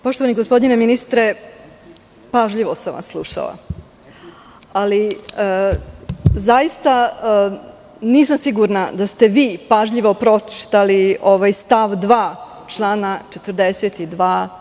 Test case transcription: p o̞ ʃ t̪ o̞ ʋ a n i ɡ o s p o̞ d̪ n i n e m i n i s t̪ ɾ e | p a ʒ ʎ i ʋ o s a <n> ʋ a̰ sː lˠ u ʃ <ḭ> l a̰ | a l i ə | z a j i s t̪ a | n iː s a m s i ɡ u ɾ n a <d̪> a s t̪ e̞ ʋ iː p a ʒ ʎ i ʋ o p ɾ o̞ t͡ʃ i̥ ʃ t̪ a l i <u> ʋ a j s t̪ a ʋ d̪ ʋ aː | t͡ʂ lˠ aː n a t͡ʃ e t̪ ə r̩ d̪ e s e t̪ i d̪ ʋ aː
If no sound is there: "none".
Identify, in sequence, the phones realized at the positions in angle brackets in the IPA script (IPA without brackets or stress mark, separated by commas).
m, a̰, d̪, o